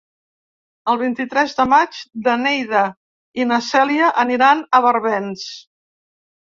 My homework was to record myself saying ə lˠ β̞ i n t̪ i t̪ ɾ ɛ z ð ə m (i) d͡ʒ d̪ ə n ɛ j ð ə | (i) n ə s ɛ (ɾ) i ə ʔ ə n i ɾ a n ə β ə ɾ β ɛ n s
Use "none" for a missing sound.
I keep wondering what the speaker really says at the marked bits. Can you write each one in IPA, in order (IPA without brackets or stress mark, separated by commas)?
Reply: a, i, l